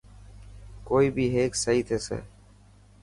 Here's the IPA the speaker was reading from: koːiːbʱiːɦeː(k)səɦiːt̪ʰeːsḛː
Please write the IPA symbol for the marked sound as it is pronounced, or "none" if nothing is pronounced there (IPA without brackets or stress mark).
k